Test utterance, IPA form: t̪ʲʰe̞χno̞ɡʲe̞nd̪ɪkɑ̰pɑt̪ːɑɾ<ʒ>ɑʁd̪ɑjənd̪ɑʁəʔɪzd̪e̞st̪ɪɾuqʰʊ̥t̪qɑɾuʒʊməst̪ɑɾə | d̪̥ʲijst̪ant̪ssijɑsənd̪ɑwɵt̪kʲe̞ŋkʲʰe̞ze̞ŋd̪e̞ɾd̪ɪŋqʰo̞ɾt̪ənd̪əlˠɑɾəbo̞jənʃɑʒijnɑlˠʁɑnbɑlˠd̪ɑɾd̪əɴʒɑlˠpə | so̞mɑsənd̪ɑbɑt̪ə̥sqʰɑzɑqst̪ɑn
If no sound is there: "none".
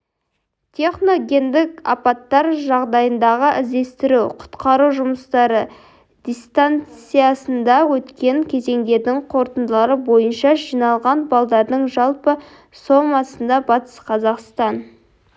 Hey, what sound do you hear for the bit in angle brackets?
ʒ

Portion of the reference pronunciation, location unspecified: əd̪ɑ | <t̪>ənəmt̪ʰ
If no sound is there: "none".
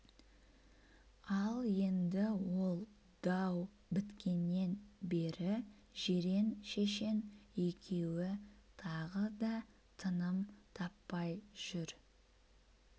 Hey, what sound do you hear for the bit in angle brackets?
t̪ʰ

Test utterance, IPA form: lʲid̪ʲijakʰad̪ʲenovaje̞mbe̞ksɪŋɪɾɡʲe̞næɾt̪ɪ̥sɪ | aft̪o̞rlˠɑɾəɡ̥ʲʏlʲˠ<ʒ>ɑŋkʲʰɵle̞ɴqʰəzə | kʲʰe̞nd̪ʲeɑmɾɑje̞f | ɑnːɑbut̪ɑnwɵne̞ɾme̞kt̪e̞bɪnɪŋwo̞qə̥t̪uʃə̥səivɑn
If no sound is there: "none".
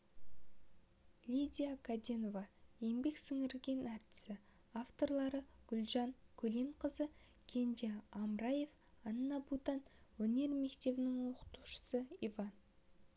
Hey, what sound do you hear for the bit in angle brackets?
ʒ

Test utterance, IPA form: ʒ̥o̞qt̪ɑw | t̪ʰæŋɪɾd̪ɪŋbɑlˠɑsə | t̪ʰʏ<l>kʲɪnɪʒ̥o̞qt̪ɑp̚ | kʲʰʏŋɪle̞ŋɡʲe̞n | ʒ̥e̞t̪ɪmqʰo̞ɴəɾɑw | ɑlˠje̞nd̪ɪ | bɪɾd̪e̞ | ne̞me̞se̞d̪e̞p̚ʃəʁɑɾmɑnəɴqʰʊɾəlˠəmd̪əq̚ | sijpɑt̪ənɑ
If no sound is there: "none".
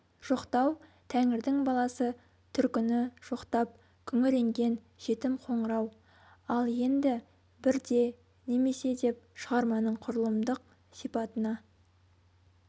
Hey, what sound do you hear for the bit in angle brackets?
ɾ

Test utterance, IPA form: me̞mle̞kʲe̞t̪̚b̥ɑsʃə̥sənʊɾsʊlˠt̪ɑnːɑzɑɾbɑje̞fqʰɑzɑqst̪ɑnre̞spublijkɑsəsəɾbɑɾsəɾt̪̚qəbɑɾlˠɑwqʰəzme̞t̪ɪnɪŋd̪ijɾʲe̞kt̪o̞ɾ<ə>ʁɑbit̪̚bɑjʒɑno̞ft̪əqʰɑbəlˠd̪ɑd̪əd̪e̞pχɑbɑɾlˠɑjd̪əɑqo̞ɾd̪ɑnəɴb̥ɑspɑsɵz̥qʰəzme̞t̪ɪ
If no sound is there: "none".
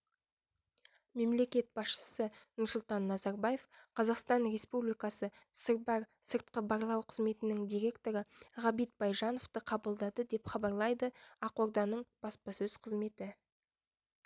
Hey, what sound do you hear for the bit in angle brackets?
ə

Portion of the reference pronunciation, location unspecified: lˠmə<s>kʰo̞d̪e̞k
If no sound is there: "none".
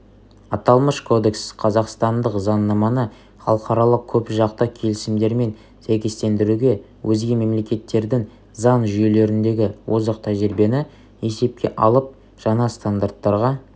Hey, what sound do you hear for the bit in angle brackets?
ʃ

